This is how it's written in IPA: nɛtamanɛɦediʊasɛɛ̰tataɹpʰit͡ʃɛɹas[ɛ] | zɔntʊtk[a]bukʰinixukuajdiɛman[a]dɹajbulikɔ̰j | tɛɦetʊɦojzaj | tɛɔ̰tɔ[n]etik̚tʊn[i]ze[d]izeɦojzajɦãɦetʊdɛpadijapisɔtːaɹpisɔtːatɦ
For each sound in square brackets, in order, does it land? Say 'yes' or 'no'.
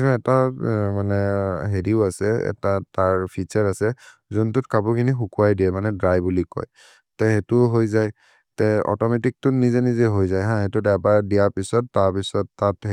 yes, yes, no, no, yes, no

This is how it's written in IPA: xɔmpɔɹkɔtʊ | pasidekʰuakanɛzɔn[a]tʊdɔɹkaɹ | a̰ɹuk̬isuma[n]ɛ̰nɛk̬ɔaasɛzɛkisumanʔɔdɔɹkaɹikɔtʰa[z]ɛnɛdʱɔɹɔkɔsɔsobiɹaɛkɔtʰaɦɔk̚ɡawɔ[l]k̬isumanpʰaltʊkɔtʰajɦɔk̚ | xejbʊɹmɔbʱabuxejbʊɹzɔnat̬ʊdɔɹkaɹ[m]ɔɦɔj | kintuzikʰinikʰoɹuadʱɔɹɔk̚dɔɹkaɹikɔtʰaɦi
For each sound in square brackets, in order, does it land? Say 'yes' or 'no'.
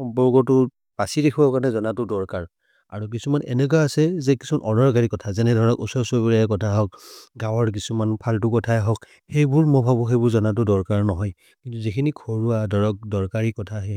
yes, yes, yes, no, no

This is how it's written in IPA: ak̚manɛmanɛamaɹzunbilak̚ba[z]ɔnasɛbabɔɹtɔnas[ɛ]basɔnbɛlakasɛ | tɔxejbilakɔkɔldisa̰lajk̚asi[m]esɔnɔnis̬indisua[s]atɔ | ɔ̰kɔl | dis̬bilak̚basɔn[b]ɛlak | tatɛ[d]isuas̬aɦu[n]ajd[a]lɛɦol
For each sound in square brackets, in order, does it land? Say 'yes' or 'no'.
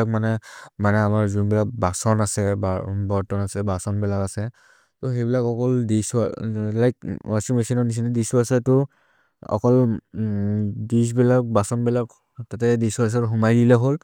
no, yes, yes, yes, yes, yes, no, no

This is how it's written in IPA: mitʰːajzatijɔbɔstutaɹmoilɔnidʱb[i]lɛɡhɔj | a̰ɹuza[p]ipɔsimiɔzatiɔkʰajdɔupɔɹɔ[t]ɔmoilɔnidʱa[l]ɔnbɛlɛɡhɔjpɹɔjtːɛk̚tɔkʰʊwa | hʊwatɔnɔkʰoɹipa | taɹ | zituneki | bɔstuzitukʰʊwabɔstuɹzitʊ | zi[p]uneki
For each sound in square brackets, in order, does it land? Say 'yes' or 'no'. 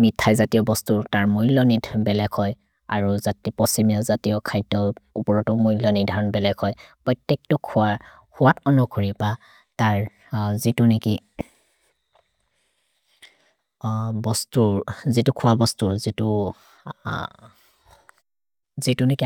no, no, yes, no, no

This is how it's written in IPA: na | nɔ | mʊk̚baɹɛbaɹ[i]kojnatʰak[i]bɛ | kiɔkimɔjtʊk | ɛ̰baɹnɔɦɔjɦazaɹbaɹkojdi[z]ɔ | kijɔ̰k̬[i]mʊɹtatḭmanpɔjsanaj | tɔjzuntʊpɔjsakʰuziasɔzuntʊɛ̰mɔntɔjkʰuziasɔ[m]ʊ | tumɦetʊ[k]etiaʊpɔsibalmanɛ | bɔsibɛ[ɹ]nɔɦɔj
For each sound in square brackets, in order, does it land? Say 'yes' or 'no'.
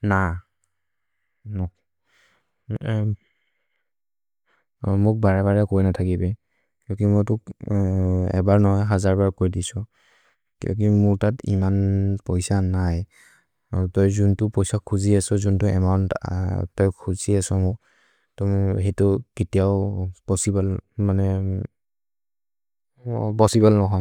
no, yes, no, yes, yes, yes, no

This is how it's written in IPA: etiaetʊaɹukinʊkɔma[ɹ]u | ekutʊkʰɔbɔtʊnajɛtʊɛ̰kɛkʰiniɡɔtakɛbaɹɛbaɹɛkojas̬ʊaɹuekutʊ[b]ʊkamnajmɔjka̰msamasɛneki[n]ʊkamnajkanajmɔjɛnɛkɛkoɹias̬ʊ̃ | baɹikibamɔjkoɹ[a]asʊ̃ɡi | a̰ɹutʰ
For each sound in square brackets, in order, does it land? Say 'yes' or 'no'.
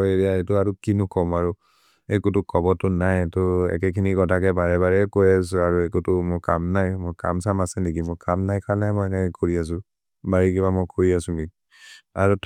yes, no, no, no

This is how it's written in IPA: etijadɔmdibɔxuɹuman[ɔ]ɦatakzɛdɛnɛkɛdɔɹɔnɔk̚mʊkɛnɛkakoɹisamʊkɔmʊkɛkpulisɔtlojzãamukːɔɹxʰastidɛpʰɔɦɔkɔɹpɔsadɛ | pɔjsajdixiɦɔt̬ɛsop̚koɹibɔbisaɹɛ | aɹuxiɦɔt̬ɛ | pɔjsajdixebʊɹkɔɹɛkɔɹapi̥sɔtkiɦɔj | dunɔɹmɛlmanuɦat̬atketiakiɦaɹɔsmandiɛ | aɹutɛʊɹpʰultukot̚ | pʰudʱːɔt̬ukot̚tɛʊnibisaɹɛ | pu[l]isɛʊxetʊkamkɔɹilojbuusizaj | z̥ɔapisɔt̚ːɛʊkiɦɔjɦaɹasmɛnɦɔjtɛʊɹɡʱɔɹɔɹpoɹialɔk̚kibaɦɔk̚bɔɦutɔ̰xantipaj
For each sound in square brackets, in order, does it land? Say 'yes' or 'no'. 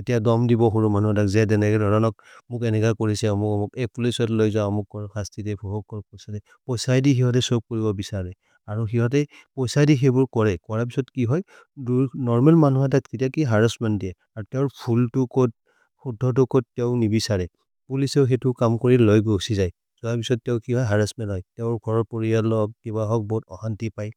no, yes

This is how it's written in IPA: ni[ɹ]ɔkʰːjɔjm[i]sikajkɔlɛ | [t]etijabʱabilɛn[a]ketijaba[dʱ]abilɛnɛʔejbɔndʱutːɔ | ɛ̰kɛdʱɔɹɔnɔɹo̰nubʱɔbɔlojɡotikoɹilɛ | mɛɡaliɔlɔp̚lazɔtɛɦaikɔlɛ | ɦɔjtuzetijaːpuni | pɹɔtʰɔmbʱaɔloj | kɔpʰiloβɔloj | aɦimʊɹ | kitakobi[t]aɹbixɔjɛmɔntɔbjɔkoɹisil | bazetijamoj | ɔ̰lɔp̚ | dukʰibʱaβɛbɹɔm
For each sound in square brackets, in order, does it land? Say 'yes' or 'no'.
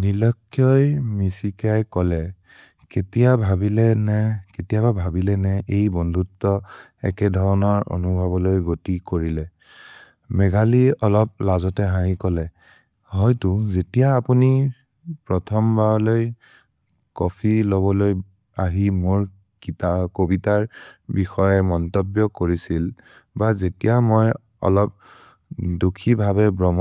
no, yes, no, no, no, yes

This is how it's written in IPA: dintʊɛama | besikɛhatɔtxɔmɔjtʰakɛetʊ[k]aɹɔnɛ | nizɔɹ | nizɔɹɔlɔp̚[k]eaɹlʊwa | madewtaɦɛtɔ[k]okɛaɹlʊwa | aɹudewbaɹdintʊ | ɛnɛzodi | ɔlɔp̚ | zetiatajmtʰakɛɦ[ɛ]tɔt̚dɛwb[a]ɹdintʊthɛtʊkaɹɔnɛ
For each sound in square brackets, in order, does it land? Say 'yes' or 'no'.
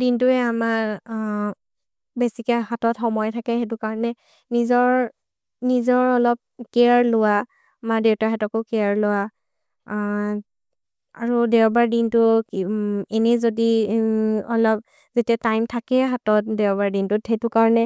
yes, yes, yes, no, yes

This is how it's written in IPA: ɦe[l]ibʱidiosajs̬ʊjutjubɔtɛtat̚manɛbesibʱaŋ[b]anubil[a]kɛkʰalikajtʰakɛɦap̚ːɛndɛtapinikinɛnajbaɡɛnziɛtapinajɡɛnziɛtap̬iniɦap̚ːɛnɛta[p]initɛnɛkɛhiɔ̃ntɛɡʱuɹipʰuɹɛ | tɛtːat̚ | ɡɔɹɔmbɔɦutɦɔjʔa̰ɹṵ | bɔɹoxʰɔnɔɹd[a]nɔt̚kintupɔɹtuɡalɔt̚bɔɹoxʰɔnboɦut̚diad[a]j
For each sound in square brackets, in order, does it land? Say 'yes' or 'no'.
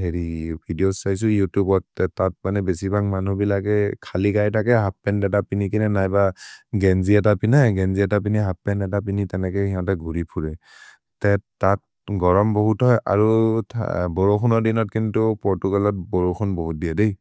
no, no, yes, yes, no, no

